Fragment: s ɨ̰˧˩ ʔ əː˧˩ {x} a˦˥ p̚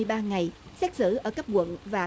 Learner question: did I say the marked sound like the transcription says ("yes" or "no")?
no